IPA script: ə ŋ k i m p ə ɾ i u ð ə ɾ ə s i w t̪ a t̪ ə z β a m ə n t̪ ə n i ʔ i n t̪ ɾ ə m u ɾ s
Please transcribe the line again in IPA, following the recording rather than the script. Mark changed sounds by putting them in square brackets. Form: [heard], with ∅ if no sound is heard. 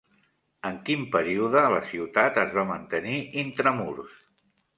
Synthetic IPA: ə ŋ k i m p ə ɾ i u ð ə [l] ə s i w t̪ a t̪ ə z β a m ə n t̪ ə n i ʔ i n t̪ ɾ ə m u ɾ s